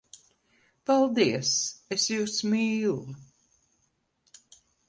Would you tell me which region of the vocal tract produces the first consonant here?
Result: lips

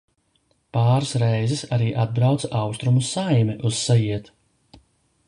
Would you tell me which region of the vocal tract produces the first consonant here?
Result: lips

